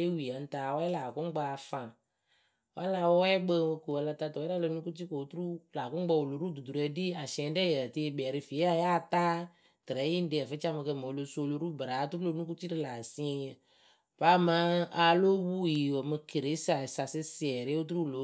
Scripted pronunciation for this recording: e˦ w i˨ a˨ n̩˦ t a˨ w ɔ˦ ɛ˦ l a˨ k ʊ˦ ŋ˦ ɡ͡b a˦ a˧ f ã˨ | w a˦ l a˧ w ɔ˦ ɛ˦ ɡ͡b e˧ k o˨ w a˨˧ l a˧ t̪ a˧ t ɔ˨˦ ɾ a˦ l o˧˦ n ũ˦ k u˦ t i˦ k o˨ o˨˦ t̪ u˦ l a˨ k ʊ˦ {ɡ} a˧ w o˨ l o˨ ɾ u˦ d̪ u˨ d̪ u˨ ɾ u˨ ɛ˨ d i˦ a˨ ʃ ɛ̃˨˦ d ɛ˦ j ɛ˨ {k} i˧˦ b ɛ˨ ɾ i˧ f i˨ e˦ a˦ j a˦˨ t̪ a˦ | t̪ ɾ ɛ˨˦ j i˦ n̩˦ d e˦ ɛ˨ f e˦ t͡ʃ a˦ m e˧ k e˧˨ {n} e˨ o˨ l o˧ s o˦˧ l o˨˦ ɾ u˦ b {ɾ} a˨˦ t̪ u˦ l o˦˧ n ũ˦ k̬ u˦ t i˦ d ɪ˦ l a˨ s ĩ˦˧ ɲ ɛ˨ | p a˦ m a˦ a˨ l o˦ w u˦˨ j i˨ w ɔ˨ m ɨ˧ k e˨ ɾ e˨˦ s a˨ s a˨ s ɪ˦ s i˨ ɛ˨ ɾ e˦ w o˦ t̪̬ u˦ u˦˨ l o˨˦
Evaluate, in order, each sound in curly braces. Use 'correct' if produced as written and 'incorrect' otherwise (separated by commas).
incorrect, incorrect, incorrect, correct